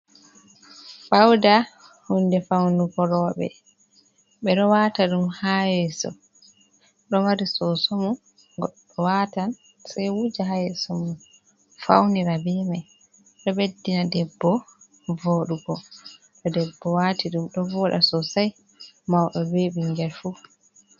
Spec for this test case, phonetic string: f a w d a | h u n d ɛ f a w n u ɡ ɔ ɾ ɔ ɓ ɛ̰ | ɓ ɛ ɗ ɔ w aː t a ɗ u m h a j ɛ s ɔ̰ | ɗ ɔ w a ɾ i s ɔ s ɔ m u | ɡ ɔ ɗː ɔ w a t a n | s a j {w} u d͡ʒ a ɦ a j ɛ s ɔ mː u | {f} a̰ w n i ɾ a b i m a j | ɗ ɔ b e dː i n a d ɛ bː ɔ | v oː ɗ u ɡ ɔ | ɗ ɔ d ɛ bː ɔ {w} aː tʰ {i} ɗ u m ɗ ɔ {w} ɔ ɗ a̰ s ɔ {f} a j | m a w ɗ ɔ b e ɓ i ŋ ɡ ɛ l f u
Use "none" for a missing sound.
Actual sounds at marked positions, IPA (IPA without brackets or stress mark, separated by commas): w, f, w, i, v, s